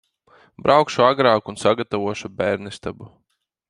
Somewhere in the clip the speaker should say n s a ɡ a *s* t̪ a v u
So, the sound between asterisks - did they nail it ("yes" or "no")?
no